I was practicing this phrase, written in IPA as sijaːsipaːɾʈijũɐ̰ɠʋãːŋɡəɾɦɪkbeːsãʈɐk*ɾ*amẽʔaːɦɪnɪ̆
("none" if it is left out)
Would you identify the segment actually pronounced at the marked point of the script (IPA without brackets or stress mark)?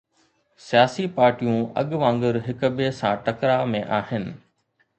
ɾ